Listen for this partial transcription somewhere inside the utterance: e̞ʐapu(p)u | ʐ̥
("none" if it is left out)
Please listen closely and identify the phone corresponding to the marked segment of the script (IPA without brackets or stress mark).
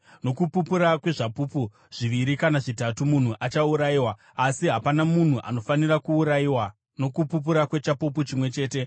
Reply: p